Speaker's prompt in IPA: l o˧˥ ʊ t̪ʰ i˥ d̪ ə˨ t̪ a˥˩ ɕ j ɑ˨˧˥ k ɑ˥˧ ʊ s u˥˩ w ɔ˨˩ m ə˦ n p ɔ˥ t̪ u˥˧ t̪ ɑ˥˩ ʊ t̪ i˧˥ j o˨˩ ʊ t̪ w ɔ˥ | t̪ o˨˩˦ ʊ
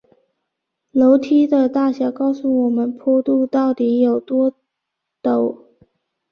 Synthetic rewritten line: l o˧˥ ʊ t̪ʰ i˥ d̪ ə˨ t̪ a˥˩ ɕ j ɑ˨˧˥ k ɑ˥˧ ʊ s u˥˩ w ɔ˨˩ m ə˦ n pʰ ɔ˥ t̪ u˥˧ t̪ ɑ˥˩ ʊ t̪ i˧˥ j o˨˩ ʊ t̪ w ɔ˥ | t̪ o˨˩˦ ʊ